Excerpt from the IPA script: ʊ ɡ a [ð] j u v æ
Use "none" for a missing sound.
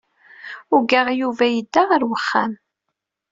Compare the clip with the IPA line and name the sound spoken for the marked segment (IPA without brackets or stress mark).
ʁ